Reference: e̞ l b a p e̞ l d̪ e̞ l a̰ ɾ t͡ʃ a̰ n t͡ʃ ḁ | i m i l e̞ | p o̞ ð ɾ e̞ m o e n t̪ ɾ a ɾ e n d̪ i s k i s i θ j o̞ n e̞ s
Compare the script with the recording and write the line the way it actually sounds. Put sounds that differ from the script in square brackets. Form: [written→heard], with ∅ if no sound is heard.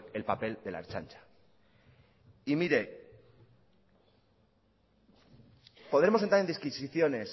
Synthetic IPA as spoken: e̞ l [b→p] a p e̞ l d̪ e̞ l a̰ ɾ t͡ʃ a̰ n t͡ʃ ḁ | i m i [l→ɾ] e̞ | p o̞ ð ɾ e̞ m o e n t̪ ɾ a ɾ e n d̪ i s k i s i θ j o̞ n e̞ s

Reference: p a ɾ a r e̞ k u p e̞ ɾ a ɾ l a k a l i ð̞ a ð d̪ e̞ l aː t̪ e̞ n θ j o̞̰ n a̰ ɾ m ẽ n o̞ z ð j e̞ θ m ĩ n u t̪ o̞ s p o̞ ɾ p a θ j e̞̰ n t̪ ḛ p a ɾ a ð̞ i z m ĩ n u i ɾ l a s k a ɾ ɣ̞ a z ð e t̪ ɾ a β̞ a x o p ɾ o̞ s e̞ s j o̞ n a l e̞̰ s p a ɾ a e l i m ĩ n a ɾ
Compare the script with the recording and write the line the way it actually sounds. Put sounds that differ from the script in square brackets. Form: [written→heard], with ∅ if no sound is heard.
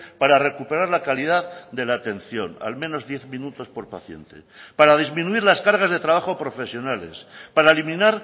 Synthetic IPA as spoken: p a ɾ a r e̞ k u p e̞ ɾ a ɾ l a k a l i ð̞ a ð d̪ e̞ l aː t̪ e̞ n θ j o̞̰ n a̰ [ɾ→l] m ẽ n o̞ z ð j e̞ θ m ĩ n u t̪ o̞ s p o̞ ɾ p a θ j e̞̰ n t̪ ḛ p a ɾ a ð̞ i z m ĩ n u i ɾ l a s k a ɾ ɣ̞ a z ð e t̪ ɾ a β̞ a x o p ɾ o̞ [s→f] e̞ s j o̞ n a l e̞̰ s p a ɾ a e l i m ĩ n a ɾ

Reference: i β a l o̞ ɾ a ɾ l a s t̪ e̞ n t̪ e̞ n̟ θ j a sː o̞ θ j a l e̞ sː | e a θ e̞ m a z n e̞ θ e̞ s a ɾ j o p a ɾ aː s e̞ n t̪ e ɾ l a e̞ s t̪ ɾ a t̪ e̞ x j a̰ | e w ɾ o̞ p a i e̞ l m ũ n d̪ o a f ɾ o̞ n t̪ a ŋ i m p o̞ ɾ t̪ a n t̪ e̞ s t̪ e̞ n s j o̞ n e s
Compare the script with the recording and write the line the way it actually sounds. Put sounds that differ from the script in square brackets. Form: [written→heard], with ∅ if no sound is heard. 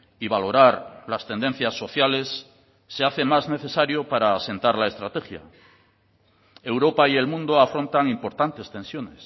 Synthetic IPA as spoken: i β a l o̞ ɾ a ɾ l a s t̪ e̞ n [t̪→d̪] e̞ n̟ θ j a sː o̞ θ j a l e̞ sː | e a θ e̞ m a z n e̞ θ e̞ s a ɾ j o p a ɾ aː s e̞ n t̪ [e→a] ɾ l a e̞ s t̪ ɾ a t̪ e̞ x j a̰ | e w ɾ o̞ p a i e̞ l m ũ n d̪ o a f ɾ o̞ n t̪ a ŋ i m p o̞ ɾ t̪ a n t̪ e̞ s t̪ e̞ n s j o̞ n e s

